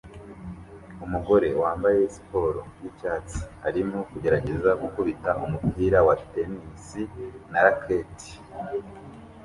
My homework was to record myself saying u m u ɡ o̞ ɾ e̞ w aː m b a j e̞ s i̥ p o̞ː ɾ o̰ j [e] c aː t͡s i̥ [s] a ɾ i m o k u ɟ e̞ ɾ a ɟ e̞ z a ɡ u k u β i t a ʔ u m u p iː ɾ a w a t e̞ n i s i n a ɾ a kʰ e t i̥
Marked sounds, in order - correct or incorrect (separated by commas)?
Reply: incorrect, incorrect